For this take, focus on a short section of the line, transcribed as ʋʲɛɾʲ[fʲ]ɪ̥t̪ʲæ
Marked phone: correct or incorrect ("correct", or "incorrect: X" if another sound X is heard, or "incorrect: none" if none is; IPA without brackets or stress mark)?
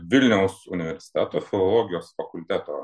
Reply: incorrect: sʲ